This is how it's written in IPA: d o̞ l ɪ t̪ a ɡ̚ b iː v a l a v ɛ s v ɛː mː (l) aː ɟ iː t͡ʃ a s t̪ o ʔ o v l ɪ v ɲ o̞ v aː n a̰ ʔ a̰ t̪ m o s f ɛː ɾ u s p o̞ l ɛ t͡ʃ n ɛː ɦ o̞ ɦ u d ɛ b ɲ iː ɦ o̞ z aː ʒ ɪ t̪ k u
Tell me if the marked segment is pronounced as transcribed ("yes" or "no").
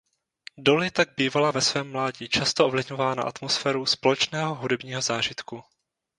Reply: yes